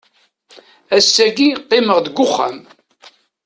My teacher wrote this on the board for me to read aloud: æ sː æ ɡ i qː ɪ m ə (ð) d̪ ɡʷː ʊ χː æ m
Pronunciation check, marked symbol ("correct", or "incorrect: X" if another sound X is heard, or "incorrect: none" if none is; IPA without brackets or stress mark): incorrect: ʁ